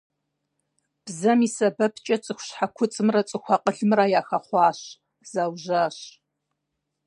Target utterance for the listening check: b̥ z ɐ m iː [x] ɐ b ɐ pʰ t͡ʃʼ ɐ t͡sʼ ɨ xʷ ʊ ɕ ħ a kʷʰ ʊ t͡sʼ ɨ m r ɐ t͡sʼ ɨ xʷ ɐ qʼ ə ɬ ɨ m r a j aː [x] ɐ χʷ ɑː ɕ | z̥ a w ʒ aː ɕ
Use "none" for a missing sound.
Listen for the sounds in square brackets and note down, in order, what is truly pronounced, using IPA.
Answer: s, x

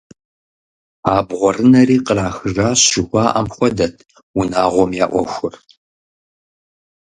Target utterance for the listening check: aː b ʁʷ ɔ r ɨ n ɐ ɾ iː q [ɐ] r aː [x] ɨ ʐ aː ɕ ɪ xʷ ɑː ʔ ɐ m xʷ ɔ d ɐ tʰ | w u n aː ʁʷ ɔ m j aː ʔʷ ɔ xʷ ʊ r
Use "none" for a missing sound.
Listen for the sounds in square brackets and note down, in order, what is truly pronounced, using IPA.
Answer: ə, x

